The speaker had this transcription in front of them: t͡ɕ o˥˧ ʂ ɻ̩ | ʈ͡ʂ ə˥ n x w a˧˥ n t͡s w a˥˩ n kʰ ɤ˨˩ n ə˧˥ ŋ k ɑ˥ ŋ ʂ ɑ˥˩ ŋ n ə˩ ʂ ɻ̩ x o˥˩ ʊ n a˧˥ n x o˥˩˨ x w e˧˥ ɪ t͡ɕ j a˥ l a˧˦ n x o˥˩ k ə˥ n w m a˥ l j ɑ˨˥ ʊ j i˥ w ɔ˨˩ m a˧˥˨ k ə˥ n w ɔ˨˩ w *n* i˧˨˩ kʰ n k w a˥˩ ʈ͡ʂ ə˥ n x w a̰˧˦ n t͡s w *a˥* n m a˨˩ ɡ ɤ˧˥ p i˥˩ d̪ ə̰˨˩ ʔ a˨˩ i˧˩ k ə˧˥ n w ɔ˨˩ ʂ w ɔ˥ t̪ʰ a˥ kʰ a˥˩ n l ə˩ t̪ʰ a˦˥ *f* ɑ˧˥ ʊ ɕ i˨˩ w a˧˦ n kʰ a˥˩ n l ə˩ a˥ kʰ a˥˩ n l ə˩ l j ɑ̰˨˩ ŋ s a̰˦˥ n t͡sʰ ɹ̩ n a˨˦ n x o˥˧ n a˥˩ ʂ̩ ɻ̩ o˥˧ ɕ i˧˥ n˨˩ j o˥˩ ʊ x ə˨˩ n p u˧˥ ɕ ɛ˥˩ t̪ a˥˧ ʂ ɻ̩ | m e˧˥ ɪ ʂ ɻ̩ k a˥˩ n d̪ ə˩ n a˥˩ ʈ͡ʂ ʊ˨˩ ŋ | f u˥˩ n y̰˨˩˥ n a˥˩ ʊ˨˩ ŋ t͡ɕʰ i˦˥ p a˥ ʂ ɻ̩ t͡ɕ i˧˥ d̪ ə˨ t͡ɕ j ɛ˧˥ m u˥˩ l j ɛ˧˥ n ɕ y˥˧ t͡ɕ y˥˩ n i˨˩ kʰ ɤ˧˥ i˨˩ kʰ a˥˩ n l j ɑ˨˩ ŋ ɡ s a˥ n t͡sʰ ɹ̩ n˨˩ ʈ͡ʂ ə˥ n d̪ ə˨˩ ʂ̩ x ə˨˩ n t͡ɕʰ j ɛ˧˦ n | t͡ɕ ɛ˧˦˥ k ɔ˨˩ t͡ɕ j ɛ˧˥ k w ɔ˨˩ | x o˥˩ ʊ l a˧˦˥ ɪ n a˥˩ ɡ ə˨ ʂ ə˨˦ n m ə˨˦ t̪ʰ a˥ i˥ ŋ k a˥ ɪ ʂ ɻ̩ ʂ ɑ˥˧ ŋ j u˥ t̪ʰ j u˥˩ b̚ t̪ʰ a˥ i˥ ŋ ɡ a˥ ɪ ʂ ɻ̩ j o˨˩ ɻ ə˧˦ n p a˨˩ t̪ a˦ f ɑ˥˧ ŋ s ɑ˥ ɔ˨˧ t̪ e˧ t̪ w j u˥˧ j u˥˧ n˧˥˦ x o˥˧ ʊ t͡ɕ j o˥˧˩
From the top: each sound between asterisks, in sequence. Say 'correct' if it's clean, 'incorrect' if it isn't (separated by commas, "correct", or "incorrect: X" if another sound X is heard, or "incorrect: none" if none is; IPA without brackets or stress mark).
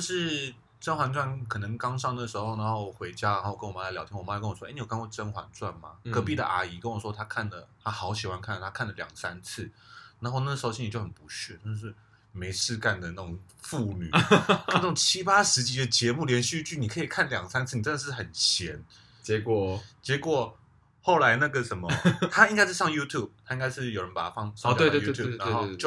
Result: correct, incorrect: a˥˩, incorrect: x